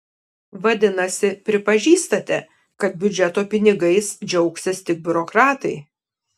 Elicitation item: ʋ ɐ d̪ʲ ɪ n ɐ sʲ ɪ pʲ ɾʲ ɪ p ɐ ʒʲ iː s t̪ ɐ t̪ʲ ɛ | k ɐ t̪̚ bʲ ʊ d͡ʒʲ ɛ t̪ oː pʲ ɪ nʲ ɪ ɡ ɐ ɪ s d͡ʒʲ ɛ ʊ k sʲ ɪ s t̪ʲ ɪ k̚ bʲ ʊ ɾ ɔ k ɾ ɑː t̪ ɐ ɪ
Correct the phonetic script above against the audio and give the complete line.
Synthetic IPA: ʋ ɐ d̪ʲ ɪ n ɐ sʲ ɪ pʲ ɾʲ ɪ p ɐ ʒʲ iː s t̪ ɐ t̪ʲ ɛ | k ɐ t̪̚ bʲ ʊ d͡ʒʲ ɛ t̪ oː pʲ ɪ nʲ ɪ ɡ ɐ ɪ s d͡ʒʲ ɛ ʊ k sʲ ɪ s t̪ʲ ɪ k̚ bʲ ʊ ɾ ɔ k ɾ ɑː t̪ ɐ ɪ